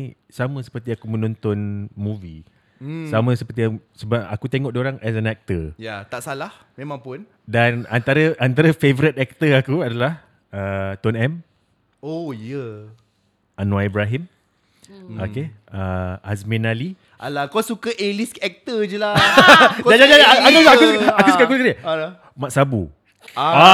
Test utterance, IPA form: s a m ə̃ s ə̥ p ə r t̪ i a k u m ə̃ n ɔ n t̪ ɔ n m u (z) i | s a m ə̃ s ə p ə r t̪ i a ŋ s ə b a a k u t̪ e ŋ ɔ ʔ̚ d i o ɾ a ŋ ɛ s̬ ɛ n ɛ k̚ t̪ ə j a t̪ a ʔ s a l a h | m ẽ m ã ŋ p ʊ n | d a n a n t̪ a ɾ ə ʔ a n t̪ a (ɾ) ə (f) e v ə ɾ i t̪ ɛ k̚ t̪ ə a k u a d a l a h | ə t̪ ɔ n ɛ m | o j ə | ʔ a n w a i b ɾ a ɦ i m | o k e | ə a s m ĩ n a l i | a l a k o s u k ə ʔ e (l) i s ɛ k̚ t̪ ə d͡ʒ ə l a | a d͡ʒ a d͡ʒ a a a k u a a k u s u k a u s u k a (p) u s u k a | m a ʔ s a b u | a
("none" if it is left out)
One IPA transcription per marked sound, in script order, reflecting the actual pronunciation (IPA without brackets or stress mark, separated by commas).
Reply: v, ɾ, f, l, k